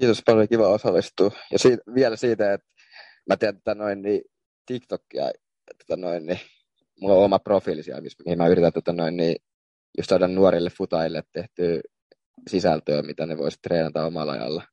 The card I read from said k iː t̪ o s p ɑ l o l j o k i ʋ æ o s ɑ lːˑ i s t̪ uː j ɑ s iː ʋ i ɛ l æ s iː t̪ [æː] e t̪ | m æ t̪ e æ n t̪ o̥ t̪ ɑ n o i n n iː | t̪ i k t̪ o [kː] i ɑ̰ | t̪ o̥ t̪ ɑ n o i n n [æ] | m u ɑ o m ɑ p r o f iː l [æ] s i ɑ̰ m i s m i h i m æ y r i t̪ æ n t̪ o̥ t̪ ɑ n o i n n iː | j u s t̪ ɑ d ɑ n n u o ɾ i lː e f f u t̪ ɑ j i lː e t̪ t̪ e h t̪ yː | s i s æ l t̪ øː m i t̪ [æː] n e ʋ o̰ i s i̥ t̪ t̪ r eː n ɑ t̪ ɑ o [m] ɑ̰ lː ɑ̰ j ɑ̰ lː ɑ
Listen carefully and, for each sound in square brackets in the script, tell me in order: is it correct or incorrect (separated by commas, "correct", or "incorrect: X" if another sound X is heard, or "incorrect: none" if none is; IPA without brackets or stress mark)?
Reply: incorrect: æ, correct, incorrect: i, incorrect: i, incorrect: æ, correct